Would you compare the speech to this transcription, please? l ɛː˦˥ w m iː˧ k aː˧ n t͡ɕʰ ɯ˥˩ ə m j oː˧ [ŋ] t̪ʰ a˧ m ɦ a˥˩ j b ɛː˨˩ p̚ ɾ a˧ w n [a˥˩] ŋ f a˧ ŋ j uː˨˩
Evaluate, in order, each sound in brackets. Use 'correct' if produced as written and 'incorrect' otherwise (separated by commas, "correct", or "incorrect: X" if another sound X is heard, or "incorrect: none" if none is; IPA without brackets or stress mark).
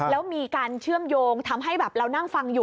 correct, correct